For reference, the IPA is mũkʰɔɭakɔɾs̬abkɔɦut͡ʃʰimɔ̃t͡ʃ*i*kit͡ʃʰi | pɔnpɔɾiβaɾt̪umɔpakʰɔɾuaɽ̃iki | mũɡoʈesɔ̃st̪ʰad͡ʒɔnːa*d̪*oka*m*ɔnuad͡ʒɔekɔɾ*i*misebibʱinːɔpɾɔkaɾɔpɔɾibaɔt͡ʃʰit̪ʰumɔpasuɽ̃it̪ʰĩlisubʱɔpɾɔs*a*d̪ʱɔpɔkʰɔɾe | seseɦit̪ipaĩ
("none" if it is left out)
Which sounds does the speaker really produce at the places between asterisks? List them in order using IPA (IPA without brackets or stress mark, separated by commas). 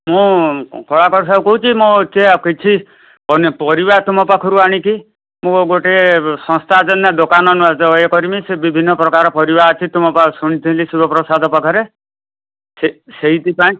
e, d̪, n, i, a